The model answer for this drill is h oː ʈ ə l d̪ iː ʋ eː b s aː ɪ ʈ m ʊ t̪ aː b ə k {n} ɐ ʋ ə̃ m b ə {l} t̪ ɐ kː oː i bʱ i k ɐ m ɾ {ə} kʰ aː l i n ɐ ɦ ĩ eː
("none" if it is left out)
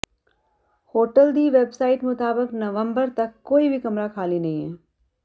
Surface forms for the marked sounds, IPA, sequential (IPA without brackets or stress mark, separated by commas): n, ɾ, a